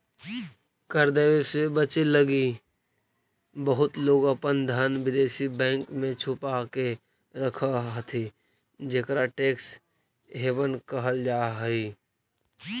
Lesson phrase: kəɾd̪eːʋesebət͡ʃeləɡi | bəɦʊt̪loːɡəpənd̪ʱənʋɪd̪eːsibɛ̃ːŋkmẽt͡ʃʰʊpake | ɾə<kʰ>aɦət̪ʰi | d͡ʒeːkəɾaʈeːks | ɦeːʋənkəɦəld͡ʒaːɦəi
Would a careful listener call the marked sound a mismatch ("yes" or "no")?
no